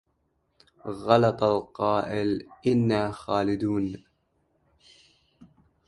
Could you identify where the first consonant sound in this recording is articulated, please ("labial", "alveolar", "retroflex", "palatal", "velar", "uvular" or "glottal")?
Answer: velar